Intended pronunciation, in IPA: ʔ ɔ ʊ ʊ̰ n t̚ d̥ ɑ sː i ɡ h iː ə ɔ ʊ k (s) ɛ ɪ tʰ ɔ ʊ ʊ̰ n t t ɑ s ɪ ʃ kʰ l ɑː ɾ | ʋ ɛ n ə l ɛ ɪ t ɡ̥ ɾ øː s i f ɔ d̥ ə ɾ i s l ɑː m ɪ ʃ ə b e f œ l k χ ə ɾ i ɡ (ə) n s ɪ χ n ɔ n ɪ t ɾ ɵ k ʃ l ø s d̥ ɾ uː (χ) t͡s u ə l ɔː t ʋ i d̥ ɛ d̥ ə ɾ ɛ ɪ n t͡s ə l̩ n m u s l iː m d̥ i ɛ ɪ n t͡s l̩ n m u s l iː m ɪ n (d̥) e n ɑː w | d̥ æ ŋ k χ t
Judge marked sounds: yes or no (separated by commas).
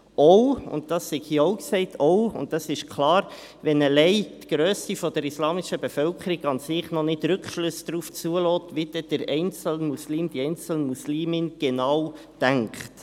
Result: yes, no, no, no